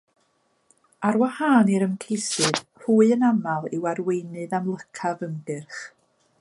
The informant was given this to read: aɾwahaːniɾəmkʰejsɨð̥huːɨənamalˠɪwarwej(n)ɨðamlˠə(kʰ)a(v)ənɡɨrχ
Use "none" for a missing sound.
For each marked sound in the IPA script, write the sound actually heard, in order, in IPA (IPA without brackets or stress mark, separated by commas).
n, kʰ, v